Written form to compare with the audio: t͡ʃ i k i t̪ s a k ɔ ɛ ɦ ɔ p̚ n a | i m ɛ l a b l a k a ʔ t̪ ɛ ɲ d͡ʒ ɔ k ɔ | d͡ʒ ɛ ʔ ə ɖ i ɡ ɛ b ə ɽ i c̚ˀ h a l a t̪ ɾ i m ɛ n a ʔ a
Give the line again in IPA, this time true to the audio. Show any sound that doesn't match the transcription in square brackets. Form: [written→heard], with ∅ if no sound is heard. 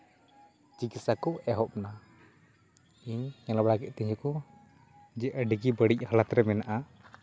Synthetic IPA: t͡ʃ i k i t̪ s a k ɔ ɛ ɦ ɔ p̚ n a | i [m→ɲ] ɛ l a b [l→ɽ] a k [a→ɛ] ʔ t̪ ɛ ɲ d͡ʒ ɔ k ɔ | d͡ʒ ɛ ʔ ə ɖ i ɡ [ɛ→i] b ə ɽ i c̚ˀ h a l a t̪ ɾ [i→ɛ] m ɛ n a ʔ a